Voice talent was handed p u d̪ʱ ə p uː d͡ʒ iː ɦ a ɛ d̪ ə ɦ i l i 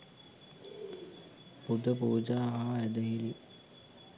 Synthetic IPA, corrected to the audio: p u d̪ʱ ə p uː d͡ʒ aː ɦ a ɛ d̪ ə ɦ i l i